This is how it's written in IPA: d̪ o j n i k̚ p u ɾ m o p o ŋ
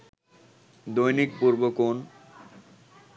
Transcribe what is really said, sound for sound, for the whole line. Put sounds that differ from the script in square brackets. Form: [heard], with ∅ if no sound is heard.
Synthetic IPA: d̪ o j n i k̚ p u ɾ [b] o [k] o [n]